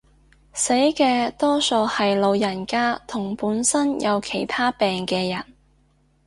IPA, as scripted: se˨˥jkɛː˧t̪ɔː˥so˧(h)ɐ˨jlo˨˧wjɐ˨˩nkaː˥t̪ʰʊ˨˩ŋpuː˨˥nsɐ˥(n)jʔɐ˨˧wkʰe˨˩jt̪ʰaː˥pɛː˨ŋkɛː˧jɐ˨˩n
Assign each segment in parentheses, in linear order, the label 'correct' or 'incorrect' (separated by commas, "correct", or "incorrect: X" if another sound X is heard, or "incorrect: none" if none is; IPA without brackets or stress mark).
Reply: correct, correct